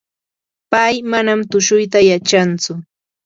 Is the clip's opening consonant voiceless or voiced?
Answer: voiceless